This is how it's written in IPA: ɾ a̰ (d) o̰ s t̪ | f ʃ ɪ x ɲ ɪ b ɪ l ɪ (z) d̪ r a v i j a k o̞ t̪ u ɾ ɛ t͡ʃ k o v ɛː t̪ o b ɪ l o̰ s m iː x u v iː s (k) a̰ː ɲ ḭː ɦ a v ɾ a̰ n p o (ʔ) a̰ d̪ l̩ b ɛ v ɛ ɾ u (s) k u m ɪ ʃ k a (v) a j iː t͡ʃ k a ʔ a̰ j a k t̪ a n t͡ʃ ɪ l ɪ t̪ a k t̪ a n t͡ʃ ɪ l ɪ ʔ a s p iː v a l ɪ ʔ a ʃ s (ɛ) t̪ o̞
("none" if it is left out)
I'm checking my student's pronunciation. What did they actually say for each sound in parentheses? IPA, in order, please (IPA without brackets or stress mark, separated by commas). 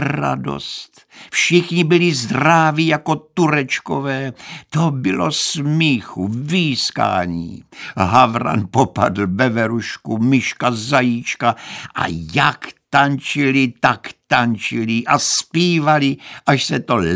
d, z, k, p, ʃ, z, ɛ